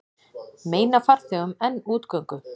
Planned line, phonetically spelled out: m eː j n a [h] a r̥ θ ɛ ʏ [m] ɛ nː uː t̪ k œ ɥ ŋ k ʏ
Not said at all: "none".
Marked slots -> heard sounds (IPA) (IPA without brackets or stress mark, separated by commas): f, m